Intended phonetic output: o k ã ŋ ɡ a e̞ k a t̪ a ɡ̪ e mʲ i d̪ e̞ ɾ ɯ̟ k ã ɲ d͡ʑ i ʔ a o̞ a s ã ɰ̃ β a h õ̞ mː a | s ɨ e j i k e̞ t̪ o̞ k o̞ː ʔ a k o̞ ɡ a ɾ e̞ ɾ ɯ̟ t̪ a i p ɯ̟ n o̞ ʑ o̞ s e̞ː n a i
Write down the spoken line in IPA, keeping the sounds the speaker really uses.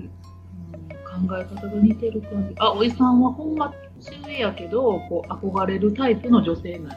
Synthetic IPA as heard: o k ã ŋ ɡ a e̞ k a t̪ a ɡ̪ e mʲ i t̪ e̞ ɾ ɯ̟ k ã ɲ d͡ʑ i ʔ a o̞ i s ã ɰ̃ β a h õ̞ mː a | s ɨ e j a k e̞ d̪ o̞ k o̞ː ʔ a k o̞ ɡ a ɾ e̞ ɾ ɯ̟ t̪ a i p ɯ̟ n o̞ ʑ o̞ s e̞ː n a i